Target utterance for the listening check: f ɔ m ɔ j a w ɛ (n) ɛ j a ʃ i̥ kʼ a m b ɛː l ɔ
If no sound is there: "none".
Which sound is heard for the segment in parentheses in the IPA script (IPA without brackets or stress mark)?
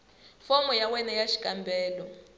n